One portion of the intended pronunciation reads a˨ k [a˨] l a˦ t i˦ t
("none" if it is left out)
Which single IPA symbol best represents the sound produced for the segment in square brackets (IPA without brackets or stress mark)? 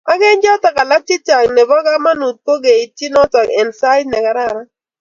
a˨